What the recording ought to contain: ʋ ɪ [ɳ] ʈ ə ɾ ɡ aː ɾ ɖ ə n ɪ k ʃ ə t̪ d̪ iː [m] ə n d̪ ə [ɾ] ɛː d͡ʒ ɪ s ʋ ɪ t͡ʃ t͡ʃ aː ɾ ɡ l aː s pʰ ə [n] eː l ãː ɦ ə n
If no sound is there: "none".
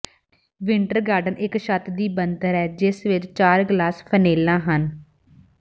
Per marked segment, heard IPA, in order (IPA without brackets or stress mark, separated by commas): ɳ, b, ɾ, n